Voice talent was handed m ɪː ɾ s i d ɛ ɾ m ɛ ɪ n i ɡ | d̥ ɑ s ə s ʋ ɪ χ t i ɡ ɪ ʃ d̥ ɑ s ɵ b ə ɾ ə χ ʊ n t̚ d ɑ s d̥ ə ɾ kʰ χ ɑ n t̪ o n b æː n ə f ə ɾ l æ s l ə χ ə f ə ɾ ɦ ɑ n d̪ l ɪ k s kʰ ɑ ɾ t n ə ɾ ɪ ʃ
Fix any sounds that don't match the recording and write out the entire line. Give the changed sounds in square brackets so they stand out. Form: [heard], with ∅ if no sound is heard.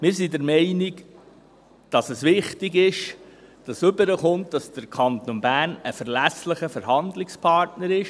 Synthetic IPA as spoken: m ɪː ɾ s i d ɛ ɾ m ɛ ɪ n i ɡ | d̥ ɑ s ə s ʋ ɪ χ t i ɡ ɪ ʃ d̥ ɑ s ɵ b ə ɾ ə χ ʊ n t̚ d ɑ s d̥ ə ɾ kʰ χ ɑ n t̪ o n b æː n ə f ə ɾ l æ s l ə χ ə f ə ɾ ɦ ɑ n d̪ l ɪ k s [pʰ] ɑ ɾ t n ə ɾ ɪ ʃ